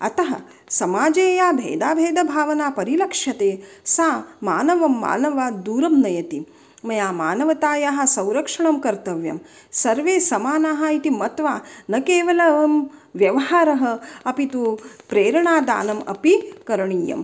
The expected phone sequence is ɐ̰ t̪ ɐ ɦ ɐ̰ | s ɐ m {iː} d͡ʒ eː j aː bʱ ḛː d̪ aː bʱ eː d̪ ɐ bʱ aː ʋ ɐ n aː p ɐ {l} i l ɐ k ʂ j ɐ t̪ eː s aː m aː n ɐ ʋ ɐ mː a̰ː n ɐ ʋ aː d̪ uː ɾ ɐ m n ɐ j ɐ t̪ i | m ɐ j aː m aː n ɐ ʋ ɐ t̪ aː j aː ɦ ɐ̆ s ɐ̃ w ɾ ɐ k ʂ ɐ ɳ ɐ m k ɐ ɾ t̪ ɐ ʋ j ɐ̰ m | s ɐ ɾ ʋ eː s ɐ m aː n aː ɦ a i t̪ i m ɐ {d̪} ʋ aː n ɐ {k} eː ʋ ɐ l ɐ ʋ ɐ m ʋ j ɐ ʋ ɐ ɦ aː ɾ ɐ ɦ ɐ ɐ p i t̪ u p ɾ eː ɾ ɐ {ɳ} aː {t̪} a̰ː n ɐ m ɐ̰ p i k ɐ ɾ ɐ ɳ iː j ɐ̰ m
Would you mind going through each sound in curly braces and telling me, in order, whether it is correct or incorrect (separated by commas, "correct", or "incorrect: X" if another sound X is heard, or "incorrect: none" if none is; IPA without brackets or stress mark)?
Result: incorrect: aː, incorrect: ɾ, incorrect: t̪, correct, correct, incorrect: d̪